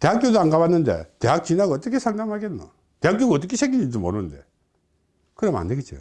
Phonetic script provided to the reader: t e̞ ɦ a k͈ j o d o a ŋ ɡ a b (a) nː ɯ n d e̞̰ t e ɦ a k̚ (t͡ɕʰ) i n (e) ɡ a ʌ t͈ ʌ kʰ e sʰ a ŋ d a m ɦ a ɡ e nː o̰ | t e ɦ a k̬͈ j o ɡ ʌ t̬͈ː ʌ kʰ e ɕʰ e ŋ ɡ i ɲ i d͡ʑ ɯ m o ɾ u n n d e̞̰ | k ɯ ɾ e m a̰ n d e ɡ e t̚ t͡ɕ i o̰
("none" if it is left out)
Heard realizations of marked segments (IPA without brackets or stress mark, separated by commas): a, t͡ɕ, a